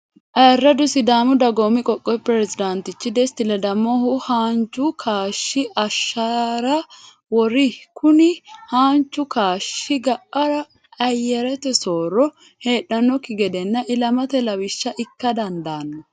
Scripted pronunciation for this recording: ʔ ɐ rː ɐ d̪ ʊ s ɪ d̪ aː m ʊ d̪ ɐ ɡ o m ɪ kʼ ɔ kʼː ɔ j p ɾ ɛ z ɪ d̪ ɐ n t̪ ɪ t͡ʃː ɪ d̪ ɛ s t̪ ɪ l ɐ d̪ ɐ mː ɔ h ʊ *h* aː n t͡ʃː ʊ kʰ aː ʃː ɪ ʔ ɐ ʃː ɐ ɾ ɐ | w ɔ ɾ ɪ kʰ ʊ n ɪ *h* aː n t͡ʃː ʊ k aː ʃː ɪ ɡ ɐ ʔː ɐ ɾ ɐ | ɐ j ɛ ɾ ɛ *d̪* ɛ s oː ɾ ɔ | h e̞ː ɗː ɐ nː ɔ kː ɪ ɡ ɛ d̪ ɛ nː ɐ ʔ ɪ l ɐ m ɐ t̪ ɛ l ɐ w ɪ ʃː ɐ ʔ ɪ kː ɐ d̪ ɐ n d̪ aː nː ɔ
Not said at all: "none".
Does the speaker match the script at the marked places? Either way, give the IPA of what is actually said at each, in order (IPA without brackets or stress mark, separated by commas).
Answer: h, h, t̪